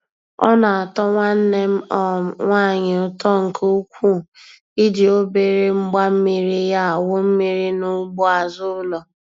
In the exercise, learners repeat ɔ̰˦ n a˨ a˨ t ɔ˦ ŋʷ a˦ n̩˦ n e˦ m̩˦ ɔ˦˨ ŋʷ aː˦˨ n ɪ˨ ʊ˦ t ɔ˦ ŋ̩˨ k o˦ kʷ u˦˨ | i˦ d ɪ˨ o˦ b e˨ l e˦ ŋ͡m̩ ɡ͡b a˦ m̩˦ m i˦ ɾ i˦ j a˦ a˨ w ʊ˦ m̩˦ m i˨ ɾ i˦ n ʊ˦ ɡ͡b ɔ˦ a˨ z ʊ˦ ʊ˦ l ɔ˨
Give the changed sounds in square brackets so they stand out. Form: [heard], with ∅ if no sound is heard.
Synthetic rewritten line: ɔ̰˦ n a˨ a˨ t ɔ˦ ŋʷ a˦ n̩˦ n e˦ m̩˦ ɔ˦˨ ŋʷ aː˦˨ [ɲ] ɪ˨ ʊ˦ t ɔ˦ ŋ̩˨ k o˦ kʷ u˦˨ | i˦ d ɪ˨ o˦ b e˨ [ɾ] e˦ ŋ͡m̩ ɡ͡b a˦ m̩˦ m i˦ ɾ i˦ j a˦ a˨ w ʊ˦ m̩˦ m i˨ ɾ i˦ n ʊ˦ ɡ͡b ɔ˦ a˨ z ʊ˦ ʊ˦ l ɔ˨

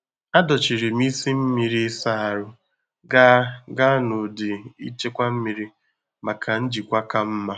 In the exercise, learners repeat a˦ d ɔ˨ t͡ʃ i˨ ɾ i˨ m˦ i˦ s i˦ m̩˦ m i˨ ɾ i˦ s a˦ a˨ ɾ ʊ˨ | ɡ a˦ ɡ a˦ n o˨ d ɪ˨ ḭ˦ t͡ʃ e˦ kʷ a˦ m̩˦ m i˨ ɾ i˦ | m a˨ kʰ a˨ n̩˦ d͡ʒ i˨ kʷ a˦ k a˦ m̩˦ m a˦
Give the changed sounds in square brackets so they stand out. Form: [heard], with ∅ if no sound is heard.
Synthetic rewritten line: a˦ d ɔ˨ t͡ʃ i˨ ɾ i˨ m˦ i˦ s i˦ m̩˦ m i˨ ɾ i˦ s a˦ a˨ ɾ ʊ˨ | ɡ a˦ ɡ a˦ n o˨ d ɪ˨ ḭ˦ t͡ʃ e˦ kʷ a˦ m̩˦ m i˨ ɾ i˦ | m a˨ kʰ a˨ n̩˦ d͡ʒ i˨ kʷ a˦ k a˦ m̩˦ m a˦

